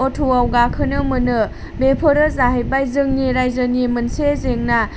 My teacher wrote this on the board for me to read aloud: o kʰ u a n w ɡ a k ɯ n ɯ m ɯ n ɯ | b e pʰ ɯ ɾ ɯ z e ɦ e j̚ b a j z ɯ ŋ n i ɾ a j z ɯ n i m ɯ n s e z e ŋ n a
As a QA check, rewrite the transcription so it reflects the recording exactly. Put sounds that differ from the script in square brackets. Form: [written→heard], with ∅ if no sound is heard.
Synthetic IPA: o [kʰ→tʰ] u a [n→∅] w ɡ a [k→kʰ] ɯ n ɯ m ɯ n ɯ | b e pʰ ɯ ɾ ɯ z [e→a] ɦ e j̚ b a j z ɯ ŋ n i ɾ a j z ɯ n i m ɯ n s e z e ŋ n a